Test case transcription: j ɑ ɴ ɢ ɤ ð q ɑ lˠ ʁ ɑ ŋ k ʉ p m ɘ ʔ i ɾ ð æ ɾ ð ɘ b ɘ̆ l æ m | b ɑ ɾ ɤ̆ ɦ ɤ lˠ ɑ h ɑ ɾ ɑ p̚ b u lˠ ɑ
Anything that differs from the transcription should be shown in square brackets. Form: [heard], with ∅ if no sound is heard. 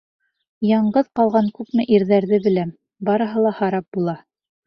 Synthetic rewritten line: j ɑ ɴ ɢ ɤ ð q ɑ lˠ ʁ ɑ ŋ k ʉ p m ɘ ʔ i ɾ ð æ ɾ ð ɘ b ɘ̆ l æ m | b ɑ ɾ ɤ̆ ɦ ɤ lˠ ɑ h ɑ ɾ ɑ p̚ b u lˠ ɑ